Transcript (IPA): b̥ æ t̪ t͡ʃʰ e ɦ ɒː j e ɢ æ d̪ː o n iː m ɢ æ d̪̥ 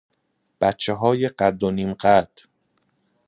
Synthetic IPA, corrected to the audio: b̥ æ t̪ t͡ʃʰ e ɦ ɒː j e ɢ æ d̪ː o n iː m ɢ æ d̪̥